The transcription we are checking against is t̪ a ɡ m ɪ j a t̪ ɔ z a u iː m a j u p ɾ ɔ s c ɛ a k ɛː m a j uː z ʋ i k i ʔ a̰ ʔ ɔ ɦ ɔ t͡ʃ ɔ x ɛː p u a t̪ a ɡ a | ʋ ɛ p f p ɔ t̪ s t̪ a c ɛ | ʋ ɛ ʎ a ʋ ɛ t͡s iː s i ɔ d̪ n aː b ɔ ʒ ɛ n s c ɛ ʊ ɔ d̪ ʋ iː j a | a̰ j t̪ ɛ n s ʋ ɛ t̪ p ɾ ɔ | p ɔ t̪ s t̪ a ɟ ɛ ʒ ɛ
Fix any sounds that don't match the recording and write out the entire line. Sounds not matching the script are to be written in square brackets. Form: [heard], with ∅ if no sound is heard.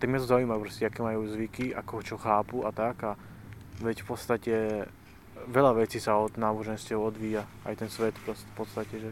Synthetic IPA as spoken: t̪ a ɡ m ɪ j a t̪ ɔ z a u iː m a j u p ɾ ɔ s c ɛ a k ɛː m a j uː z ʋ i k i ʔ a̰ [k] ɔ ɦ ɔ t͡ʃ ɔ x [aː] p u a t̪ a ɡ a | ʋ ɛ [c] f p ɔ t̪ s t̪ a c ɛ | ʋ ɛ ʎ a ʋ ɛ t͡s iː s [a] ɔ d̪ n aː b ɔ ʒ ɛ n s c ɛ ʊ ɔ d̪ ʋ iː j a | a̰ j t̪ ɛ n s ʋ ɛ t̪ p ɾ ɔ | p ɔ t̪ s t̪ a [c] ɛ ʒ ɛ